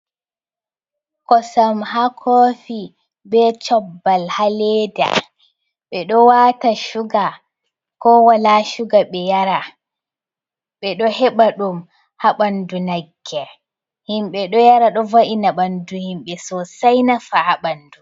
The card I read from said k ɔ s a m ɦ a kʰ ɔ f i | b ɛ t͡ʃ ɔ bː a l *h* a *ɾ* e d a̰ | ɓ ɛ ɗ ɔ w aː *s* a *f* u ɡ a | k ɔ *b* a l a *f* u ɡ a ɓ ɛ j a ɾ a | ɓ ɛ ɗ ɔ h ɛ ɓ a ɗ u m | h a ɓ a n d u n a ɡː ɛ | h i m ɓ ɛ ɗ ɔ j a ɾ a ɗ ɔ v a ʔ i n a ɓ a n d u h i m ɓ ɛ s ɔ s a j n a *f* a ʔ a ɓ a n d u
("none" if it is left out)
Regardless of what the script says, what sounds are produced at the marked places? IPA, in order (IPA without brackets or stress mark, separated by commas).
h, l, t, ʃ, w, ʃ, f